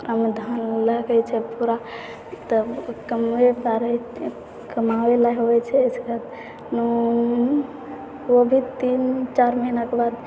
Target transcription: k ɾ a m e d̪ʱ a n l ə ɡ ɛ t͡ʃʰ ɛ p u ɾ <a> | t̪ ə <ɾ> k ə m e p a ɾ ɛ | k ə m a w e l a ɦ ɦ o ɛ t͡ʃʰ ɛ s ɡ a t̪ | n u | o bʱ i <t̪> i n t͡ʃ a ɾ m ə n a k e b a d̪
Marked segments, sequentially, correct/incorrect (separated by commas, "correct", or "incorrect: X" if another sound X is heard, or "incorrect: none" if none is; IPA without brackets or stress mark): correct, incorrect: none, correct